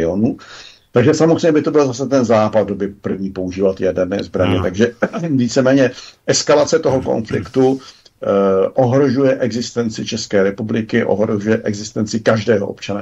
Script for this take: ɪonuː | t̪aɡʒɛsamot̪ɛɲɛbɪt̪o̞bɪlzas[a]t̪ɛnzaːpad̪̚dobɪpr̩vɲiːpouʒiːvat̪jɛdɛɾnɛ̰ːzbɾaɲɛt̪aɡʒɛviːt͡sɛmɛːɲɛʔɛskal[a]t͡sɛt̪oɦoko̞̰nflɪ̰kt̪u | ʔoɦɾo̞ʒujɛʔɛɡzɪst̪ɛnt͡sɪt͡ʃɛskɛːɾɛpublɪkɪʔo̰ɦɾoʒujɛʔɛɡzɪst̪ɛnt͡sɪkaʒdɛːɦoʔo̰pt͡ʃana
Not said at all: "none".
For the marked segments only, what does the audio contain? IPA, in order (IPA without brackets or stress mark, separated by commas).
ɛ, a